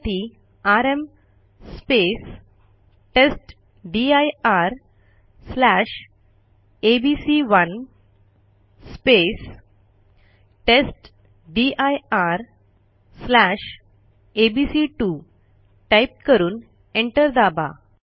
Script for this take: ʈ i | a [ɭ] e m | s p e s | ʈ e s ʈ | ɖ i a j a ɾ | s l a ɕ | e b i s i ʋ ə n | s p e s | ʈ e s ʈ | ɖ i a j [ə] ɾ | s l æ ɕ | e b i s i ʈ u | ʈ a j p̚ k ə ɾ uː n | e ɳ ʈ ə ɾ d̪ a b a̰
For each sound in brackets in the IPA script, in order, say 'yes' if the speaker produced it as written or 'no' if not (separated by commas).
no, no